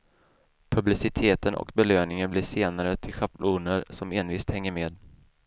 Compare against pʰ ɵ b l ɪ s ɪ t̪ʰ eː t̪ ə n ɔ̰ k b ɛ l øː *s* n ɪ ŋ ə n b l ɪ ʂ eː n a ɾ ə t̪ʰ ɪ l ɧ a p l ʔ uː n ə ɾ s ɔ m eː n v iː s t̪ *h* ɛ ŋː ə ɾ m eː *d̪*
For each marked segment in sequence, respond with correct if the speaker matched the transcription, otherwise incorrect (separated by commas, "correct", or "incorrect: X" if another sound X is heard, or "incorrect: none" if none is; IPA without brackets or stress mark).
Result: incorrect: none, correct, correct